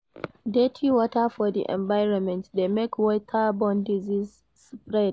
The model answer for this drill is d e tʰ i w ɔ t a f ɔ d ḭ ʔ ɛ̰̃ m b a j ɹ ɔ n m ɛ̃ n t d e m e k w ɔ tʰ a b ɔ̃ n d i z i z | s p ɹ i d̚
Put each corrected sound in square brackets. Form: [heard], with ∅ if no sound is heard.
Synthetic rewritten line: d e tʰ i w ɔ t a f ɔ d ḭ ʔ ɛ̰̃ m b a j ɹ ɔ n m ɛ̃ n t d e m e k w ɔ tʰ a b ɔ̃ n d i z i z | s p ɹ [ɛ] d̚

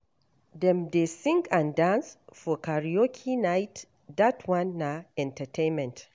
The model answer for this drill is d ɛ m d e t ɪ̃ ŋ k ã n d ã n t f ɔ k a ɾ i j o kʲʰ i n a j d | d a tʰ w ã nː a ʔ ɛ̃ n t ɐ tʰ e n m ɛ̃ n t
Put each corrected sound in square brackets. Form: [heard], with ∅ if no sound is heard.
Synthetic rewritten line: d ɛ m d e [s] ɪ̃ ŋ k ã n d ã n [s] f ɔ k a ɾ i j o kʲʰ i n a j [t] | d a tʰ w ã nː a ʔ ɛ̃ n t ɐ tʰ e n m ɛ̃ n t

